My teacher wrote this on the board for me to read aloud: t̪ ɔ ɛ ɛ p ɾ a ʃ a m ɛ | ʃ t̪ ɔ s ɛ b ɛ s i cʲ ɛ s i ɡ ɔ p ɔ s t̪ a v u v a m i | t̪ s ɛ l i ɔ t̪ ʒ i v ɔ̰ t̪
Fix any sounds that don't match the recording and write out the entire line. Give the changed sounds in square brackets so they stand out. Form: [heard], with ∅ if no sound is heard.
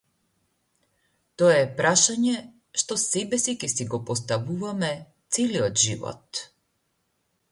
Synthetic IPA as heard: t̪ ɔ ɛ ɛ p ɾ a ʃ a [ɲ] ɛ | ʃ t̪ ɔ s ɛ b ɛ s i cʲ ɛ s i ɡ ɔ p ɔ s t̪ a v u v a m [ɛ] | t̪ s ɛ l i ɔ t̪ ʒ i v ɔ̰ t̪